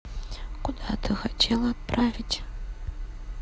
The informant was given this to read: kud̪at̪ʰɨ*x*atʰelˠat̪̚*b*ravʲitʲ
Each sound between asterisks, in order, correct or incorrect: correct, incorrect: p

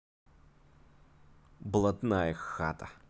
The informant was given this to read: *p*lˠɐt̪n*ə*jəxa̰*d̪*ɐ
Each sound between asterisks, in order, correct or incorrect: incorrect: b, incorrect: a, incorrect: t̪

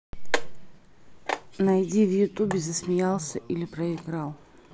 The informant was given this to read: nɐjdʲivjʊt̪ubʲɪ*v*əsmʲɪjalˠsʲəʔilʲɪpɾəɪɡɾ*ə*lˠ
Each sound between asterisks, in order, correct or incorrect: incorrect: z, incorrect: a

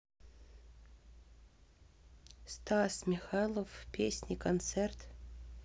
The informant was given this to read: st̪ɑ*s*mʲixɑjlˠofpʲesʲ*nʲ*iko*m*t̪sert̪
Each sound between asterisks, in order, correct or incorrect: correct, correct, incorrect: n

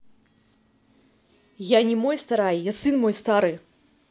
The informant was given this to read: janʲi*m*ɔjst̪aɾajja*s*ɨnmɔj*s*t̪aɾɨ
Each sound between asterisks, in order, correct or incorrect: correct, correct, correct

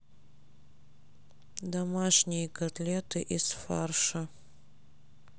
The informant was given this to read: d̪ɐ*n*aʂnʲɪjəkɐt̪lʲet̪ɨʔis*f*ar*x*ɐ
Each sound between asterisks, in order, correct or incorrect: incorrect: m, correct, incorrect: ʂ

